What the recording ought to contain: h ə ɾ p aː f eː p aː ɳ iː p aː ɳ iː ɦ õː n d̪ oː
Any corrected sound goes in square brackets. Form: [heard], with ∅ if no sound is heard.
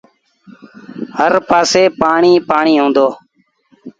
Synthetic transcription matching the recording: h ə ɾ p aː [s] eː p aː ɳ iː p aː ɳ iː ɦ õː n d̪ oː